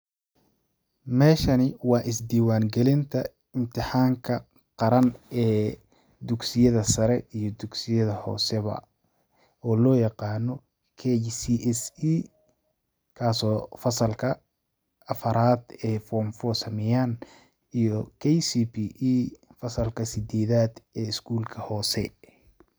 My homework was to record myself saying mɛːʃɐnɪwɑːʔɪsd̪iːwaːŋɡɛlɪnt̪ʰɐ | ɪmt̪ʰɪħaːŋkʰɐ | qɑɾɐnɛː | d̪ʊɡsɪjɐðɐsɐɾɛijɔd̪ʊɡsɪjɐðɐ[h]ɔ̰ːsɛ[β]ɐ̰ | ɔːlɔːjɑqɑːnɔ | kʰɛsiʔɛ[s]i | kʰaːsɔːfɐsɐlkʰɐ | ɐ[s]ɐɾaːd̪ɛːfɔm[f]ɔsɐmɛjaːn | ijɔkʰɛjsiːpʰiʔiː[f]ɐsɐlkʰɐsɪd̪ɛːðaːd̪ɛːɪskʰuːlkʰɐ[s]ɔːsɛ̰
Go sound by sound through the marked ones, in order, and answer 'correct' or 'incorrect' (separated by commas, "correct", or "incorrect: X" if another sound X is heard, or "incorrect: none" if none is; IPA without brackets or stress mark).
correct, correct, correct, incorrect: f, correct, correct, incorrect: h